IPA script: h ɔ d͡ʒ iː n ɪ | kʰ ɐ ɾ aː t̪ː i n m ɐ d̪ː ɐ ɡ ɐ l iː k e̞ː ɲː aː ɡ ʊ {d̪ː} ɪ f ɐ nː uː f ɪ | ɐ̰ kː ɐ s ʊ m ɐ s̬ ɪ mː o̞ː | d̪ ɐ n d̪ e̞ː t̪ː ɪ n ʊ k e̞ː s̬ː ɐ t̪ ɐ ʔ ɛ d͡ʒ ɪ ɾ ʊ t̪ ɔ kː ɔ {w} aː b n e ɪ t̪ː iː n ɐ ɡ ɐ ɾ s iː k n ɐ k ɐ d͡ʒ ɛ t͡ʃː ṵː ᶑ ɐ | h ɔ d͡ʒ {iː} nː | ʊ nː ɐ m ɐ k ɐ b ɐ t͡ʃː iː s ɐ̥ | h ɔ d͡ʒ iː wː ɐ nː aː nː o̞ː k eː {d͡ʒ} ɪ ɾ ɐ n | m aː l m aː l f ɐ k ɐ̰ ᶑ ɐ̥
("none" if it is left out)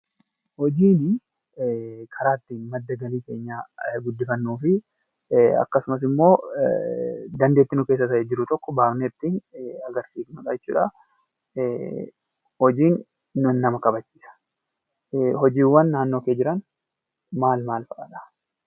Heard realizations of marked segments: d̪ː, b, iː, d͡ʒ

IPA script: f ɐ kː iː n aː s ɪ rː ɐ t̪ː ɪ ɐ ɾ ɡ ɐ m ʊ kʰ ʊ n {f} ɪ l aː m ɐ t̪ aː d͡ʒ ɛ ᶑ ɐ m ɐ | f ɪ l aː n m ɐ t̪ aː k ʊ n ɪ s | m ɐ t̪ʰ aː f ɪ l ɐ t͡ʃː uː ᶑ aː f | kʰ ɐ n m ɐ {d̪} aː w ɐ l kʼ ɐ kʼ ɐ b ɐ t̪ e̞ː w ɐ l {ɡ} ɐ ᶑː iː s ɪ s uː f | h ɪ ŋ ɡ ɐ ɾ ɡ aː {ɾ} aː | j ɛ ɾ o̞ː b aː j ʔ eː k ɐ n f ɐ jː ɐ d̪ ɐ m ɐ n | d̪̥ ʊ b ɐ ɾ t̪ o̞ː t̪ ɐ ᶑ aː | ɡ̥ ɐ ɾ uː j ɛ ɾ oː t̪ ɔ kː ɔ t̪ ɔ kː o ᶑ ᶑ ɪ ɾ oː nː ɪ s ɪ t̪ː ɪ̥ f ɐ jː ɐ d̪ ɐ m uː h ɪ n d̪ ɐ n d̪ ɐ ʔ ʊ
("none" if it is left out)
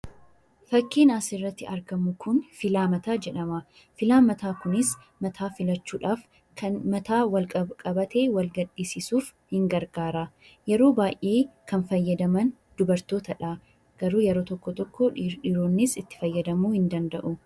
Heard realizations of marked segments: f, t̪, ɡ, ɾ

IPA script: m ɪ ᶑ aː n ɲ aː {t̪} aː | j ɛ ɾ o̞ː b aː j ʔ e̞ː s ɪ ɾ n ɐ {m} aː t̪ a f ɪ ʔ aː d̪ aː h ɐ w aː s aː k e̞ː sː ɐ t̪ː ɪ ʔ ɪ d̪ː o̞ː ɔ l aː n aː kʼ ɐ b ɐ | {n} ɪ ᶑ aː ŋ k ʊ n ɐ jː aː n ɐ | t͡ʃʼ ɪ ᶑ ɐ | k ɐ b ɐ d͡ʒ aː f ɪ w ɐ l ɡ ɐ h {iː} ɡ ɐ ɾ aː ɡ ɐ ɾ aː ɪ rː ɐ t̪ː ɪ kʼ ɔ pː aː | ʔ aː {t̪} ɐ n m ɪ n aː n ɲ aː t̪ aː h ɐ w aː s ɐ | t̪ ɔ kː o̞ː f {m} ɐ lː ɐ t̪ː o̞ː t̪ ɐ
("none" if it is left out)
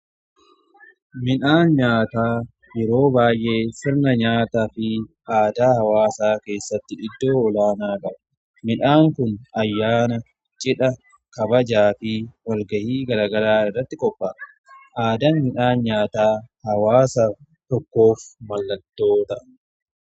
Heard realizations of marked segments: t̪, ɲ, m, iː, d̪, m

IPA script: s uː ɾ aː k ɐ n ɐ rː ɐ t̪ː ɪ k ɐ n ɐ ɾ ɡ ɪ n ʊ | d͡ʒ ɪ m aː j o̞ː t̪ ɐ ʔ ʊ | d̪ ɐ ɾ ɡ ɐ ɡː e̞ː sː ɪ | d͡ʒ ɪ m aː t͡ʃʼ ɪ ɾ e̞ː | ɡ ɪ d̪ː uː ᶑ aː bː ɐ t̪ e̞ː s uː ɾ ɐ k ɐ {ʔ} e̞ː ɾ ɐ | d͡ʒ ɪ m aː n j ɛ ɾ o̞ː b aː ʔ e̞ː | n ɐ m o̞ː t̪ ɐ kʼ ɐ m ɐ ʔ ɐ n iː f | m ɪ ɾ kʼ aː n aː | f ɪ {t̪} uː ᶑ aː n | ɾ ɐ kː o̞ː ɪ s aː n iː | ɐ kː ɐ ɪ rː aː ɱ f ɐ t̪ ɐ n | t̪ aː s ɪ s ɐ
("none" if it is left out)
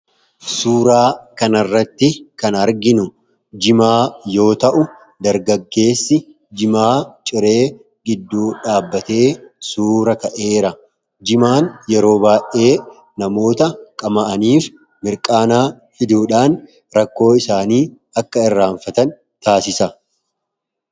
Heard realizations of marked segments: ʔ, d̪

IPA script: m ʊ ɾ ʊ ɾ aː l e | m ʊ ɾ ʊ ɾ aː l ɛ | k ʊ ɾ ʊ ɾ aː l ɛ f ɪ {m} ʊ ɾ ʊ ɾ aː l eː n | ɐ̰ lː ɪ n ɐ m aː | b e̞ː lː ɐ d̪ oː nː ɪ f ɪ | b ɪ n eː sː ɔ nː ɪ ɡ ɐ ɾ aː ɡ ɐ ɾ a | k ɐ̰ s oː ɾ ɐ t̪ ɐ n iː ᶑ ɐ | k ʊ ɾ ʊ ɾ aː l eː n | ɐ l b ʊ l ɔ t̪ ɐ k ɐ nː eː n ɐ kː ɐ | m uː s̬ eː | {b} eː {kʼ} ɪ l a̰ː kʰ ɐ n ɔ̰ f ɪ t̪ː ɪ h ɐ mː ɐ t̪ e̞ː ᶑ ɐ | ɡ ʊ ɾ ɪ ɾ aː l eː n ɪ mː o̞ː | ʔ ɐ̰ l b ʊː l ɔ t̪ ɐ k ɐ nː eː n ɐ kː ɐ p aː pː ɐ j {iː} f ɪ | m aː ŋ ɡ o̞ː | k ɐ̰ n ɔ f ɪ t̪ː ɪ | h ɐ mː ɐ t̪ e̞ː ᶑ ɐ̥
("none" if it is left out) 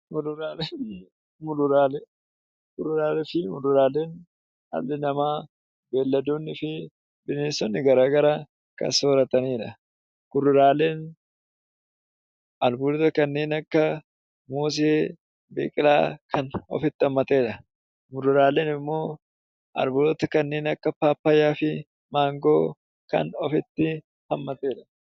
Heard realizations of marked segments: m, b, kʼ, aː

